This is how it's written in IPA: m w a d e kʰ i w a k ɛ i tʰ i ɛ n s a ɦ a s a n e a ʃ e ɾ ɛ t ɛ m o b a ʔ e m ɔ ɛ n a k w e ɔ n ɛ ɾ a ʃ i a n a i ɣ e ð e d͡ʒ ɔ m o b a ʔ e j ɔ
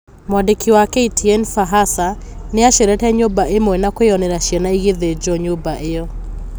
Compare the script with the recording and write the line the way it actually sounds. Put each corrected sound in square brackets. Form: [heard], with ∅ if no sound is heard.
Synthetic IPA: m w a d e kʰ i w a k ɛ i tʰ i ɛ n [f] a ɦ a s a n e a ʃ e ɾ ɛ t ɛ [ɲ] o b a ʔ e m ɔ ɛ n a k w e ɔ n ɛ ɾ a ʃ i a n a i ɣ e ð e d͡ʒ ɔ [ɲ] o b a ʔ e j ɔ